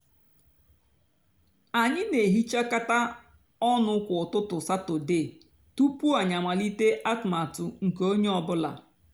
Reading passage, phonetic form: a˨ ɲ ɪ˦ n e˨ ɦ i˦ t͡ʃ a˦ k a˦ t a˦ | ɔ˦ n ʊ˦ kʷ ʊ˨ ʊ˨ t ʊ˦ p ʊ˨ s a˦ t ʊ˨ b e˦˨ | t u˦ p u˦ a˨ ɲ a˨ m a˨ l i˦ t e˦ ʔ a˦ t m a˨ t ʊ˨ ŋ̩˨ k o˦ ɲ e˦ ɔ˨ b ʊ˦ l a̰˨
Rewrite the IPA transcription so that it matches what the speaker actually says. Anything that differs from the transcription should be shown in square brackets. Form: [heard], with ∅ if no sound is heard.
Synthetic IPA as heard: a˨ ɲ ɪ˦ n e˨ ɦ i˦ t͡ʃ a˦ k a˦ t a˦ | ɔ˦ n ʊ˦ kʷ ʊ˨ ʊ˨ t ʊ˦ [t] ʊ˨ s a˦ t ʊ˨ [d] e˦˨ | t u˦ p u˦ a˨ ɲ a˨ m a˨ l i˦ t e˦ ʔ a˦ t m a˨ t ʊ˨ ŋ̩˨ k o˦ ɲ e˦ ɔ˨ b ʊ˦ l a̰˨